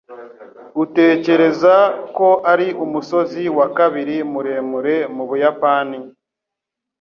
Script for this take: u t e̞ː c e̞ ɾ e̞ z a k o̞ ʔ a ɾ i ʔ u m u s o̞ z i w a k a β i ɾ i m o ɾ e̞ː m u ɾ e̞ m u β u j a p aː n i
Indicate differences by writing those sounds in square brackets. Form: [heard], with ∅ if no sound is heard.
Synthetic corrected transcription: u t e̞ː c e̞ ɾ e̞ z a k o̞ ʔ a ɾ i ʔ u m u s o̞ z i w a k a β i ɾ i m [u] ɾ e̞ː m u ɾ e̞ m u β u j a p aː n i